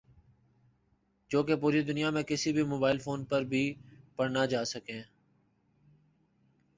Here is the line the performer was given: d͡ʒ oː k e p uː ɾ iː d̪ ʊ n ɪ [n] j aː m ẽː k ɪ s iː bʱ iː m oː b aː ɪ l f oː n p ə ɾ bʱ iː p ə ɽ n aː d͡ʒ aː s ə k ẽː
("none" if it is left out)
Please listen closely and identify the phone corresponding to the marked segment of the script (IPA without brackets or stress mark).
none